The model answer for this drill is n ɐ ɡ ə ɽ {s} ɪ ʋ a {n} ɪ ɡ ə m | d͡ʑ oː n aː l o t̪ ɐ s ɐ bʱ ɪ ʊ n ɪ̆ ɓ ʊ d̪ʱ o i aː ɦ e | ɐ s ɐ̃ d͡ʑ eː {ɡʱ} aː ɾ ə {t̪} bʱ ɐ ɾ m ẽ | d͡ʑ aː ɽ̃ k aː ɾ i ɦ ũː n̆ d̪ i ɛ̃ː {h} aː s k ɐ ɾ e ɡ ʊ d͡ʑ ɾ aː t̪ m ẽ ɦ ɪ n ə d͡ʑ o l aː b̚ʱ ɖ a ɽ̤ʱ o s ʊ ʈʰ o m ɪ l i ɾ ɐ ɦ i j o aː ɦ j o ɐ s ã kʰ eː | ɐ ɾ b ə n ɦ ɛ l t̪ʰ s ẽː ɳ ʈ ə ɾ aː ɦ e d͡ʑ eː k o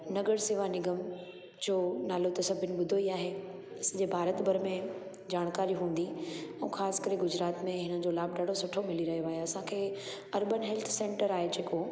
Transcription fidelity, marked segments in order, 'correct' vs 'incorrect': correct, correct, incorrect, correct, incorrect

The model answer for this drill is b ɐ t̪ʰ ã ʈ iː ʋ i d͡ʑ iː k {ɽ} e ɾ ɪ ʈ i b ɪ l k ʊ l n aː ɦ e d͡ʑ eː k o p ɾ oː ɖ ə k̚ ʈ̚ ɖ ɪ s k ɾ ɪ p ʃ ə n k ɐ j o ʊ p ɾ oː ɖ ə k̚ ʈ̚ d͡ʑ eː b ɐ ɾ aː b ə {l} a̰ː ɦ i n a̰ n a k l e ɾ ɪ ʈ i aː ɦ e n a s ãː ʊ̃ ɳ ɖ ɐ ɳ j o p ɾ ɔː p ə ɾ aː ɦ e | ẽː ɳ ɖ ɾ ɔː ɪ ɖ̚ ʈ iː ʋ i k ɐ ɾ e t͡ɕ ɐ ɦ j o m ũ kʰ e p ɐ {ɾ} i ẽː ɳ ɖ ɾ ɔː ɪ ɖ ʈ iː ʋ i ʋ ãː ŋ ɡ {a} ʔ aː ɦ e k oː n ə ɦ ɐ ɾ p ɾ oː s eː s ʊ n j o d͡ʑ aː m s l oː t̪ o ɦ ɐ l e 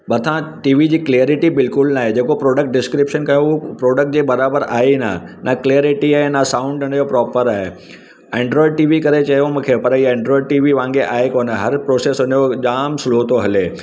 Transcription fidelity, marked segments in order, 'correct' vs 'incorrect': incorrect, incorrect, correct, incorrect

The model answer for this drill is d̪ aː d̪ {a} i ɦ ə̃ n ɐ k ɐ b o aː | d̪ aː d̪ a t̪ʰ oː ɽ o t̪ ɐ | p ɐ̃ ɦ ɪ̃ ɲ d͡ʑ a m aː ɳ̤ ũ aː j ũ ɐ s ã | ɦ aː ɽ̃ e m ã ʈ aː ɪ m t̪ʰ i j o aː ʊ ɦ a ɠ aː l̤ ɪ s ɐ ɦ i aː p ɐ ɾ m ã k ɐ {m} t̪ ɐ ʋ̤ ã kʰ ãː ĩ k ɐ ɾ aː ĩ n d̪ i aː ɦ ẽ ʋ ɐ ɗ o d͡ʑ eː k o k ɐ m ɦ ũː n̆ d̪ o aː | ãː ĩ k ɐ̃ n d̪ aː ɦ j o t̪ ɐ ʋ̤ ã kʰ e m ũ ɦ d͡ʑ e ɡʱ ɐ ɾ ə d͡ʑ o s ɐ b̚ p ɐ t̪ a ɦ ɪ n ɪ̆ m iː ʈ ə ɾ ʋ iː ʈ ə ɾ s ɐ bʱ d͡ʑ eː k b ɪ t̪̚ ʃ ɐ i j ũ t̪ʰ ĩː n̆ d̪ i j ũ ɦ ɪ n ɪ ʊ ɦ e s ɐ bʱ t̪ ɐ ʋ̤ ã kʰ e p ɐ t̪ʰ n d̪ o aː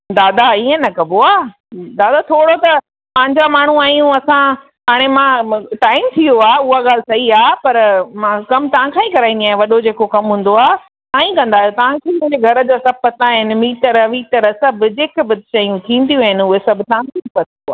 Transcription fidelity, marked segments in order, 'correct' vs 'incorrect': correct, correct

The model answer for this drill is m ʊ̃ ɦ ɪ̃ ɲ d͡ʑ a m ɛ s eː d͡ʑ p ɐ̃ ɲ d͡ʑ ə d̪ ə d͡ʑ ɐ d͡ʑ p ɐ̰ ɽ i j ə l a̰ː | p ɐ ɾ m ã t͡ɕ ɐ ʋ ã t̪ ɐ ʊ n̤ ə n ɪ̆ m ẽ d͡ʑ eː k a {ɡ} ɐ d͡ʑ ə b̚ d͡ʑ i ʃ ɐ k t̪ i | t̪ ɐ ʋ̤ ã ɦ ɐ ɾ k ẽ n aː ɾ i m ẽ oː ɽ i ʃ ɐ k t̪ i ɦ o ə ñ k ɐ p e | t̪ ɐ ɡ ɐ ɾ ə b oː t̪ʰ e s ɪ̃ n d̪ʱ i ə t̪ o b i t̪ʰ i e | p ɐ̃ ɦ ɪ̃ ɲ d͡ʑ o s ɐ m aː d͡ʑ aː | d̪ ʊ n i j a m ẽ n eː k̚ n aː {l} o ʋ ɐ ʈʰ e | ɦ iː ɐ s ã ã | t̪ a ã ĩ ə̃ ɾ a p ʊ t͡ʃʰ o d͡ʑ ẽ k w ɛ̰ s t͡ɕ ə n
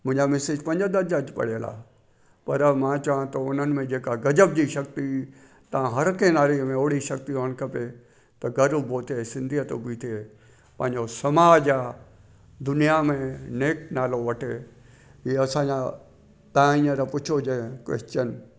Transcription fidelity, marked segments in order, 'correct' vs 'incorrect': correct, correct

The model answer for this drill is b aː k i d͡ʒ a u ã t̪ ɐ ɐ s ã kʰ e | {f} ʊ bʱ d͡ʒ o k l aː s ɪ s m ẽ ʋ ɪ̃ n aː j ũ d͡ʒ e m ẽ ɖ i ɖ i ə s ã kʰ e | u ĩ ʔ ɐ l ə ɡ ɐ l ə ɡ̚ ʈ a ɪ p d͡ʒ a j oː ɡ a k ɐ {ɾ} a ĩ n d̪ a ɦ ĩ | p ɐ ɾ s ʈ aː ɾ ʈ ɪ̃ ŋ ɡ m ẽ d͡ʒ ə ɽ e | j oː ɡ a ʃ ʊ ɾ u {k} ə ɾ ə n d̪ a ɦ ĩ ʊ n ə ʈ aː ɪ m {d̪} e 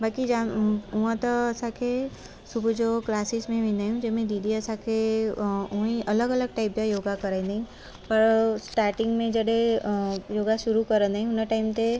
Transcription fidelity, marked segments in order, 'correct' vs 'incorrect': incorrect, correct, correct, incorrect

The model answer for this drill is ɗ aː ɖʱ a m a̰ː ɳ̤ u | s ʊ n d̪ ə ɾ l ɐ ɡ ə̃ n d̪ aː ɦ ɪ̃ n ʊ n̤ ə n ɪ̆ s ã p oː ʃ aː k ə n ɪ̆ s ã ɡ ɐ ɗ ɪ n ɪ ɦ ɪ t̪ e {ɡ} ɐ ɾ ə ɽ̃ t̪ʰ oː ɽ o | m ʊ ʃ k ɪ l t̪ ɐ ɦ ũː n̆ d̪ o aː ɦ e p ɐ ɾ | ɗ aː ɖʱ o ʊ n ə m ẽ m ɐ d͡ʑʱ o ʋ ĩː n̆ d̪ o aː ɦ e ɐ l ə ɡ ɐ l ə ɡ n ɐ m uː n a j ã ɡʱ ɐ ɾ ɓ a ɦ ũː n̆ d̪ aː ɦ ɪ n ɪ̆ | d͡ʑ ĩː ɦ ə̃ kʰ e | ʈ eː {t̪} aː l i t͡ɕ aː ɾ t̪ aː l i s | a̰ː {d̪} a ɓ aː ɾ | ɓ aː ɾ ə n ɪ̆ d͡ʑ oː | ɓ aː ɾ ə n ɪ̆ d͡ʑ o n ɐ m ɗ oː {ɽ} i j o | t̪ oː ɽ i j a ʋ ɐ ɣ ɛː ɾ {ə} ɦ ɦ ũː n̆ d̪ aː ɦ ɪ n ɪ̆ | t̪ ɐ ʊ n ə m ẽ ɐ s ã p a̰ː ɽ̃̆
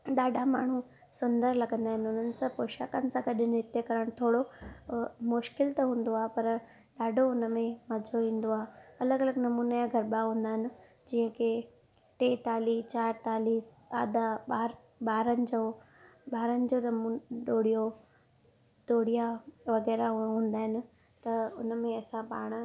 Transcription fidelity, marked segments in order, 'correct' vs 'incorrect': incorrect, correct, correct, correct, incorrect

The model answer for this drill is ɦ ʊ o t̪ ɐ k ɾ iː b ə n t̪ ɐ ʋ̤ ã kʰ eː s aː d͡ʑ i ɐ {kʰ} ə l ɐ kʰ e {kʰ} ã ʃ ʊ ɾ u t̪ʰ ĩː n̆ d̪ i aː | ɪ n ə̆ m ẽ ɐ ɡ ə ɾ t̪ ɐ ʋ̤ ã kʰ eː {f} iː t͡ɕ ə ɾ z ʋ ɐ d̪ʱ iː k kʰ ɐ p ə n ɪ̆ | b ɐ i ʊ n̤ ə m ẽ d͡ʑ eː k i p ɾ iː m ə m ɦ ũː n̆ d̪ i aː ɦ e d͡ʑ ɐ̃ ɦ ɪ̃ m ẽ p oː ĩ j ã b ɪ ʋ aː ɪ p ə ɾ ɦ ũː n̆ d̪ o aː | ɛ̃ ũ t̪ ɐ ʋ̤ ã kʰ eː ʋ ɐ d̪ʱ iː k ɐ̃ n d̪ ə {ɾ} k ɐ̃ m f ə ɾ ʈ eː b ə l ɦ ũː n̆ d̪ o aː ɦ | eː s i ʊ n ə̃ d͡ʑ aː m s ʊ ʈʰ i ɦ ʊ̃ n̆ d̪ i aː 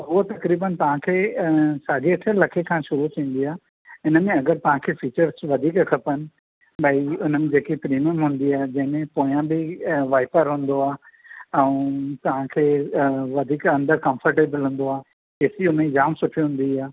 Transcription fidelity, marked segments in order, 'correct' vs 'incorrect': incorrect, correct, correct, correct

